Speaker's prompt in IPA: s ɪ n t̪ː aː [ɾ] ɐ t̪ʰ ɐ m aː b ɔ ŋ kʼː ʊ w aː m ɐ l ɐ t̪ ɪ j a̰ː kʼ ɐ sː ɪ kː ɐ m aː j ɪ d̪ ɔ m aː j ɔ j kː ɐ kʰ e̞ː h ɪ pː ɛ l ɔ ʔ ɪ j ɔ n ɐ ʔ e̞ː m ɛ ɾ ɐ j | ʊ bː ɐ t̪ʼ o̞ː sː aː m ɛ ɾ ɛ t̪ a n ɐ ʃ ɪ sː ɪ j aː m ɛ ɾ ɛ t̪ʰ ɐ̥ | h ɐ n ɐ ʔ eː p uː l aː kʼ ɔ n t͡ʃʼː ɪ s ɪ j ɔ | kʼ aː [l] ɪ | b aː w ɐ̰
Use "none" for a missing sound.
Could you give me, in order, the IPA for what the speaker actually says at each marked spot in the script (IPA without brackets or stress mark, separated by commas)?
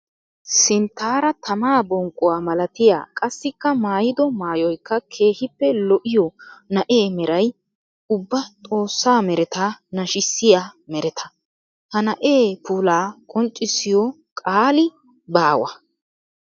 ɾ, l